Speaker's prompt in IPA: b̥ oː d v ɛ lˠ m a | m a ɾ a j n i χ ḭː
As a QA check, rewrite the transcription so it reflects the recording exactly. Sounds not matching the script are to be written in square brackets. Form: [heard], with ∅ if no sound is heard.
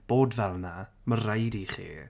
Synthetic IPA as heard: b̥ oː d v ɛ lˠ [n] a | m [ə] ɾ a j [d] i χ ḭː